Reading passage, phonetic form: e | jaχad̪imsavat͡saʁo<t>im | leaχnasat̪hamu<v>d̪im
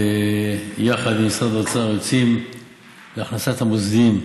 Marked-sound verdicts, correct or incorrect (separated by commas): incorrect, incorrect